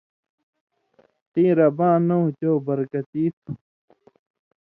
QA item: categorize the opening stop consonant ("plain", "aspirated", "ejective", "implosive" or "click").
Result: plain